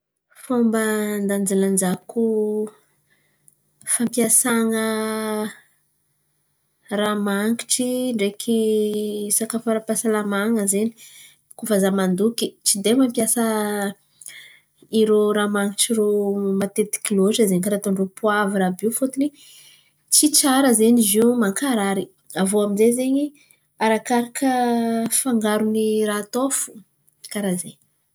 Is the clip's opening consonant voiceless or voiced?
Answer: voiceless